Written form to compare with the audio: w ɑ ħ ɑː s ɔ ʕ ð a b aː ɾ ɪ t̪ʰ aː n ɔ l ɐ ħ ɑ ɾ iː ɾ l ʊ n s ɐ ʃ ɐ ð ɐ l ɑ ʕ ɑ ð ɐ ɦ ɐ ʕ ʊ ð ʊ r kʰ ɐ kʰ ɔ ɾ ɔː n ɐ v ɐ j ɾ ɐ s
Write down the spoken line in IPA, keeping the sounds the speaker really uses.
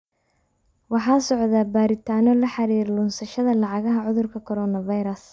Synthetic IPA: w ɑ ħ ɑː s ɔ ʕ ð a b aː ɾ ɪ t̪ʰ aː n ɔ l ɐ ħ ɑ ɾ iː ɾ l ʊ n s ɐ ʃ ɐ ð ɐ l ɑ ʕ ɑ ɣ ɐ ɦ ɐ ʕ ʊ ð ʊ r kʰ ɐ kʰ ɔ ɾ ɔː n ɐ v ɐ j ɾ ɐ s